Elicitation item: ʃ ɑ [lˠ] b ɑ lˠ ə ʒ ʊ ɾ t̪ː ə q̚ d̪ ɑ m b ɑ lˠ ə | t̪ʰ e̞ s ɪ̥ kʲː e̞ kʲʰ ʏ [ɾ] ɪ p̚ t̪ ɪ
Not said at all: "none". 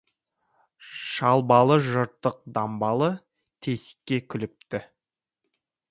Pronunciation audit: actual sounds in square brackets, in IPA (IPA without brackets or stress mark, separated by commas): lˠ, l